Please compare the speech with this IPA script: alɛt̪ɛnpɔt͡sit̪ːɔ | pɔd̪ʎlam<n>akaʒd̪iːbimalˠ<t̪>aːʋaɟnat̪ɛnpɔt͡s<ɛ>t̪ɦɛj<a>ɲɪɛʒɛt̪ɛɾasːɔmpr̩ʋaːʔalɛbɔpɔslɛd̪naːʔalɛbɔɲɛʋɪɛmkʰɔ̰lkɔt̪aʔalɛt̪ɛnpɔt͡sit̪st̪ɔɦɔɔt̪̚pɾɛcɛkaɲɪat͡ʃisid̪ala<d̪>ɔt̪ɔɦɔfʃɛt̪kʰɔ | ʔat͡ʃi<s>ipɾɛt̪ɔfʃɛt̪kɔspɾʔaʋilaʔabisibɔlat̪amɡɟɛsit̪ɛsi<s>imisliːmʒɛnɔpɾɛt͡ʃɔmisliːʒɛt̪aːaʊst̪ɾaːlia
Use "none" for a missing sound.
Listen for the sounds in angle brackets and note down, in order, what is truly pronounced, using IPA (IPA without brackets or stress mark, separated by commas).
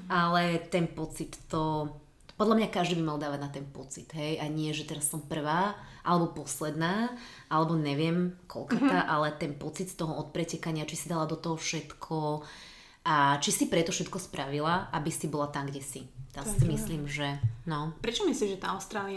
ɲ, d̪, i, a, d̪, s, s